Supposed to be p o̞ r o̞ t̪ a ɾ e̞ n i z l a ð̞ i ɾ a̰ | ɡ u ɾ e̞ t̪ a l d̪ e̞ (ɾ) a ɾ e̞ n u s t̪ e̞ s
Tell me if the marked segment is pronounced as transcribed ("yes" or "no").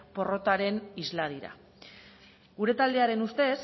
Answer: no